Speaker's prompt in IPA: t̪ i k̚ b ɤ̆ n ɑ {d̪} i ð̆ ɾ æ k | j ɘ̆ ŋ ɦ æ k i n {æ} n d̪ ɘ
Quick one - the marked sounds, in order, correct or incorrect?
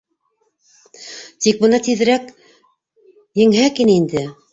incorrect, incorrect

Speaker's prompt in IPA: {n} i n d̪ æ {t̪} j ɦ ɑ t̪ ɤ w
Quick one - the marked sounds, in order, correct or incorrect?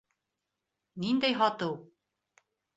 correct, incorrect

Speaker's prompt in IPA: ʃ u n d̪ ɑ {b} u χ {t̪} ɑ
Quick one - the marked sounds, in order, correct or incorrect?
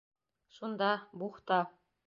correct, correct

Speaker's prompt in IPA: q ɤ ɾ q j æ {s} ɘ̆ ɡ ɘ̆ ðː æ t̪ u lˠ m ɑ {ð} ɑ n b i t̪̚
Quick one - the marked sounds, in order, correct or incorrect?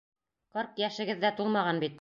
incorrect, incorrect

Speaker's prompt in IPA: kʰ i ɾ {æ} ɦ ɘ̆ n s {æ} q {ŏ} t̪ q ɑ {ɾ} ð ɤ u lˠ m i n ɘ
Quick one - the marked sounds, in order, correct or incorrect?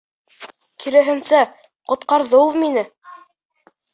correct, correct, correct, correct

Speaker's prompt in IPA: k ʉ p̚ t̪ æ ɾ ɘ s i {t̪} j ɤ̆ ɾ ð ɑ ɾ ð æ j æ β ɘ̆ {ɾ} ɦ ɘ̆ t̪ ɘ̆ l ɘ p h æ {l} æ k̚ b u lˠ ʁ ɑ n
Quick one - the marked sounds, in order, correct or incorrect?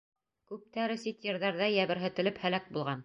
correct, correct, correct

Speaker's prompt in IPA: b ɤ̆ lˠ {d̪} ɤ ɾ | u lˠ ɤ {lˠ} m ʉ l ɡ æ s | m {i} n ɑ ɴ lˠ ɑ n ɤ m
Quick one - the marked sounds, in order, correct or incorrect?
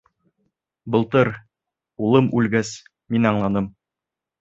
incorrect, incorrect, correct

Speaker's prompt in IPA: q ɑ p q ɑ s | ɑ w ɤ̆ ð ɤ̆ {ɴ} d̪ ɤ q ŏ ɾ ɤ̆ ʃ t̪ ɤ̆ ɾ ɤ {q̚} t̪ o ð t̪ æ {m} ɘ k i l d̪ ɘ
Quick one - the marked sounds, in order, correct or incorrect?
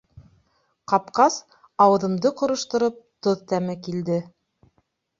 incorrect, incorrect, correct

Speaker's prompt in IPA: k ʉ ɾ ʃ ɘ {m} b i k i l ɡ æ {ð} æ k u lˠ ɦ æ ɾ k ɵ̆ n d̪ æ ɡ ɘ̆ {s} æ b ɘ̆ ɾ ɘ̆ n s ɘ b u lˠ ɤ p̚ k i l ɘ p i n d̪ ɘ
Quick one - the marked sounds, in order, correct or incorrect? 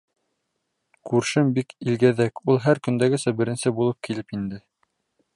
correct, correct, correct

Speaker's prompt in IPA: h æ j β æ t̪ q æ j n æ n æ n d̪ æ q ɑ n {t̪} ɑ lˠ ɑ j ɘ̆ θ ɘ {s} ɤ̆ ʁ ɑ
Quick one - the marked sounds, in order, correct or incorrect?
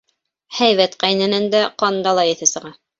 incorrect, correct

